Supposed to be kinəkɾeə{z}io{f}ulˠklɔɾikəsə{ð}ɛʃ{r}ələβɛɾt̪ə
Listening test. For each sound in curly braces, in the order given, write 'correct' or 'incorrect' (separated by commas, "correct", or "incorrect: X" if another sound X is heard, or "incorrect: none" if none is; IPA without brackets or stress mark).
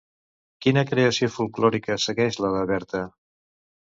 incorrect: s, correct, incorrect: ɣ, incorrect: l